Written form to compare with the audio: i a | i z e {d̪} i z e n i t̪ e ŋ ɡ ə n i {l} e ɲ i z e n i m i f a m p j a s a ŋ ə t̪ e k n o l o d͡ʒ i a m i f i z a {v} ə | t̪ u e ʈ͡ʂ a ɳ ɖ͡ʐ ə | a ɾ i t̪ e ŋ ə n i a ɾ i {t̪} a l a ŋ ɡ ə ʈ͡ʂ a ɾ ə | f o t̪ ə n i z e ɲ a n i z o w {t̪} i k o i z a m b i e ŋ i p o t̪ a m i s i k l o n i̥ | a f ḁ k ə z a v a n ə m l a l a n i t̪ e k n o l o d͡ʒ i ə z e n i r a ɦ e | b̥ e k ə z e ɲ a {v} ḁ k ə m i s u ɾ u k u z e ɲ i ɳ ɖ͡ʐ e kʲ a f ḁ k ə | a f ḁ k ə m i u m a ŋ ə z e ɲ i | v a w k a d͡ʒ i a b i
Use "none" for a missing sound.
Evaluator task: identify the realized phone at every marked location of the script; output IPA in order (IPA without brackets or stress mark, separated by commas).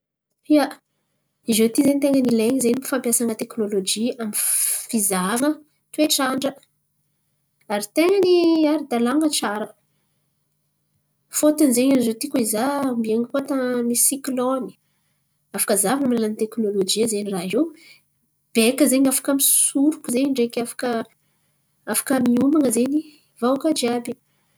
t̪, l, v, d̪, t̪, f